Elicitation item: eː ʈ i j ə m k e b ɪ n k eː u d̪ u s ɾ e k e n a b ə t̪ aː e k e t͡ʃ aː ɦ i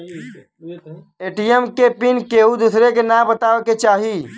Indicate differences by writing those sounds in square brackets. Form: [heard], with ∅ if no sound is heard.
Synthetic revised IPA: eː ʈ i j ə m k e [p] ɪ n k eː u d̪ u s ɾ e k e n a b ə t̪ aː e k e t͡ʃ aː ɦ i